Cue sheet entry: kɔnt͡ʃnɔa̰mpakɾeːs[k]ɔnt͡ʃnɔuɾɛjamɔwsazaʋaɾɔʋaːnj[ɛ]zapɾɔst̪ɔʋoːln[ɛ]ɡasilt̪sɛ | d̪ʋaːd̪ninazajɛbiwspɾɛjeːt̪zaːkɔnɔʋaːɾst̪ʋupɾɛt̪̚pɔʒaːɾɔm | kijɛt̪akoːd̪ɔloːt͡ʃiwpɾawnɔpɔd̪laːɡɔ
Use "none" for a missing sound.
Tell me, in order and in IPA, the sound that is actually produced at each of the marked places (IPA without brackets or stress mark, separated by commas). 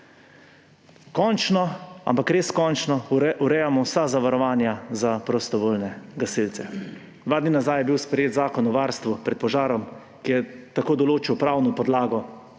k, a, ɛ